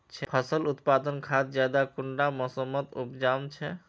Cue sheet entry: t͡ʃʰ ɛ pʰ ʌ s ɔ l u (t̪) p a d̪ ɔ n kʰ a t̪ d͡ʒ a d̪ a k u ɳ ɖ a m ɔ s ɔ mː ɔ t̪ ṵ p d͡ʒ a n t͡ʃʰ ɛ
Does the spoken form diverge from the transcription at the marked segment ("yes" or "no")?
no